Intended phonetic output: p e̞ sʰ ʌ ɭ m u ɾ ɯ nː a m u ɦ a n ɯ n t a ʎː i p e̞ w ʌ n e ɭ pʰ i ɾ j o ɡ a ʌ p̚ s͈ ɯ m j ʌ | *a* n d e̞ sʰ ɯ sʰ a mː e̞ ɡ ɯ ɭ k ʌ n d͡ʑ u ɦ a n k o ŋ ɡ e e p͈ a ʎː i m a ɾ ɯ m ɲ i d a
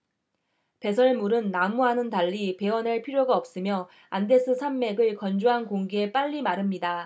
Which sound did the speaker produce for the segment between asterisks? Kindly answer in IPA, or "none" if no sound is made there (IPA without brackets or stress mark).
a